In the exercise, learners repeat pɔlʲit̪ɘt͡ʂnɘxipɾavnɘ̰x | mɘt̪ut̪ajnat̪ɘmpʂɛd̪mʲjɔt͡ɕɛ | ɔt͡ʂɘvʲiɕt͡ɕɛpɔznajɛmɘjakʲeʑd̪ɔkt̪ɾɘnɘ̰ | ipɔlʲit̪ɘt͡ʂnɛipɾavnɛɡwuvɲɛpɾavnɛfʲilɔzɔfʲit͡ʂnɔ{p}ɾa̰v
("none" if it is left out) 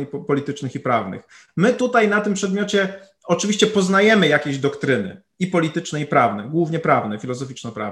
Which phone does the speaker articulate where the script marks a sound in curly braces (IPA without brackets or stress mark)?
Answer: p